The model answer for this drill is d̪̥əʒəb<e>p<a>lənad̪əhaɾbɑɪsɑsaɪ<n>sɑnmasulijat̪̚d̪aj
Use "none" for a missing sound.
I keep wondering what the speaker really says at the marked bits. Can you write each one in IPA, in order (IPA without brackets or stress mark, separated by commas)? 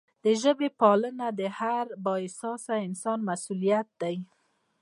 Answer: e, ɑ, n